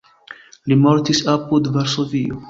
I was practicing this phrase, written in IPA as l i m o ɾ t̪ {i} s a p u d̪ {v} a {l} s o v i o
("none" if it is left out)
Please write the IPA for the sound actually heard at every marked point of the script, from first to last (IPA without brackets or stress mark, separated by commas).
i, v, ɾ